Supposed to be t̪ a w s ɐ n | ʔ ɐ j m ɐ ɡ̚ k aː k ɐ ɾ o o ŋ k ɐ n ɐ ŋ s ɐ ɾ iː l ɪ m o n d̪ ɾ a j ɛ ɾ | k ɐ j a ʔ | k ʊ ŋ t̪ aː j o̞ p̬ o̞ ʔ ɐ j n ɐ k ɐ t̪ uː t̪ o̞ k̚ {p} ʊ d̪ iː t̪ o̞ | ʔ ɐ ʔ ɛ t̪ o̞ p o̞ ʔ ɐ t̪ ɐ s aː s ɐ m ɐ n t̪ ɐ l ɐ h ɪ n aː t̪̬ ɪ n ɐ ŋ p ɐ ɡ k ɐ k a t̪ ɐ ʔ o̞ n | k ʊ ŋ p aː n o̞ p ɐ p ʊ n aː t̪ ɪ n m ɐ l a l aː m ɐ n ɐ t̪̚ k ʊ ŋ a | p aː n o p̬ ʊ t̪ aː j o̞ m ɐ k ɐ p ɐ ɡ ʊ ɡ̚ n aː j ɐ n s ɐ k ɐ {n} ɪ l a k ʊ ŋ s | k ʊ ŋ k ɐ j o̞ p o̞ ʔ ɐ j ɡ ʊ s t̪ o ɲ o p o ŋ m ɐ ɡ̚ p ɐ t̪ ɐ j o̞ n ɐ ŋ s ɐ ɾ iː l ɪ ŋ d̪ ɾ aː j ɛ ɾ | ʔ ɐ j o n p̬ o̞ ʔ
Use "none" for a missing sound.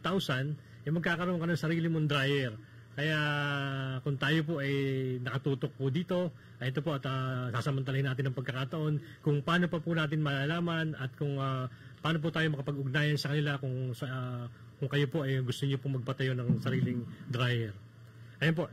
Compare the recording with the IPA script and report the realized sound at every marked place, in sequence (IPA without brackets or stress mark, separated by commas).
p, n